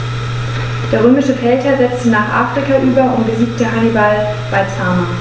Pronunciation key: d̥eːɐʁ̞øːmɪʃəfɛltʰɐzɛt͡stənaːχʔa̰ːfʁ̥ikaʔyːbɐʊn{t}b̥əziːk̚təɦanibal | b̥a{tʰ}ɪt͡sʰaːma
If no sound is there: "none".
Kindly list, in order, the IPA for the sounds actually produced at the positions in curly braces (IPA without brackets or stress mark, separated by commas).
t, none